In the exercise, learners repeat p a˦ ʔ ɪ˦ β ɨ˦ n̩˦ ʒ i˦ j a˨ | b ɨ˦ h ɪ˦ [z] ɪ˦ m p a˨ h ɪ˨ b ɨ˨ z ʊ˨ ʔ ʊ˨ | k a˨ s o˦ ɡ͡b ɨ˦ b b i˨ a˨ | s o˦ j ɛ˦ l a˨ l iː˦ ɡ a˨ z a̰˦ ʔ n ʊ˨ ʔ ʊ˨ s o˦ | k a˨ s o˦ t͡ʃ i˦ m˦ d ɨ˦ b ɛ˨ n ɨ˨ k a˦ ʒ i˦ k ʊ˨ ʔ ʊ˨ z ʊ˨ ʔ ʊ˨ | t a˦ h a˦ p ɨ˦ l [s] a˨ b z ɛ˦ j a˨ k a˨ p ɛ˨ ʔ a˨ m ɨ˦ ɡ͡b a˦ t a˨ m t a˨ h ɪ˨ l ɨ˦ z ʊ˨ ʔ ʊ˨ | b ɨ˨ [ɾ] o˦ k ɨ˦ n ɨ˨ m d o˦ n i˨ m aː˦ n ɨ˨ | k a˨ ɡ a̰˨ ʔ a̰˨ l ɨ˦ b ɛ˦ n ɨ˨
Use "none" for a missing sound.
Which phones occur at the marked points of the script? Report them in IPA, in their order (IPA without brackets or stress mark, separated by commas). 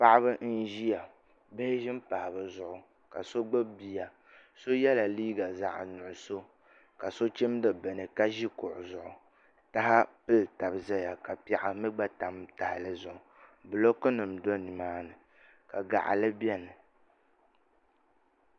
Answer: ʒ, t, l